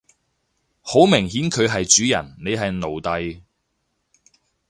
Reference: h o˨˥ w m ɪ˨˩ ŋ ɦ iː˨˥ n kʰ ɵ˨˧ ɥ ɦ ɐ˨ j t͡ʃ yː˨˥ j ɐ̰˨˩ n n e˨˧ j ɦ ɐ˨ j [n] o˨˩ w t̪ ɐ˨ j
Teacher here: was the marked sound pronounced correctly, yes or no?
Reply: yes